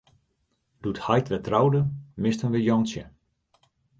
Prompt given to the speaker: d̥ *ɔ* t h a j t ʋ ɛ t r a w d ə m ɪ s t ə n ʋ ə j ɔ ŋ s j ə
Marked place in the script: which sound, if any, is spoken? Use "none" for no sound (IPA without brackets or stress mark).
u